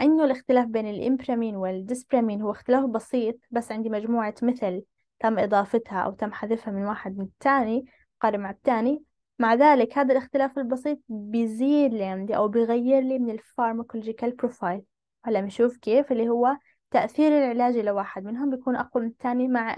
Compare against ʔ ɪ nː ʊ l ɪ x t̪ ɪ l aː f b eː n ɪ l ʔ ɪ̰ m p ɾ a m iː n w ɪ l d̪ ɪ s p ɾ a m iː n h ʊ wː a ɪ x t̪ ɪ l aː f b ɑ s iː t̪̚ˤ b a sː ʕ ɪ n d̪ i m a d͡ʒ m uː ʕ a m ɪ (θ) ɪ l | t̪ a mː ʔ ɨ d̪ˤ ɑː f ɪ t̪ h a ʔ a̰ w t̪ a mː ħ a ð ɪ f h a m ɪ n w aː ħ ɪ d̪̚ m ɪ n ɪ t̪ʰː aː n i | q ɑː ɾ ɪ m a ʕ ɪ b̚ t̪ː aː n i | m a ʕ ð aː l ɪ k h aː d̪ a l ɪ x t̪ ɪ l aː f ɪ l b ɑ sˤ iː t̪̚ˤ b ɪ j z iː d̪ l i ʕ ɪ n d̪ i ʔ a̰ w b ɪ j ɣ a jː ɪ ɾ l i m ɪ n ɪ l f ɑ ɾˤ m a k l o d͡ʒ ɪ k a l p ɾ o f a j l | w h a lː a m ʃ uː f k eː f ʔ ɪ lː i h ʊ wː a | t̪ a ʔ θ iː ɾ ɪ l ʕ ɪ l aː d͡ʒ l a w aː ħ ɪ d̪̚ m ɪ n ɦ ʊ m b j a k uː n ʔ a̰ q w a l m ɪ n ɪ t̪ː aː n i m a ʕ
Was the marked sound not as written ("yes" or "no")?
no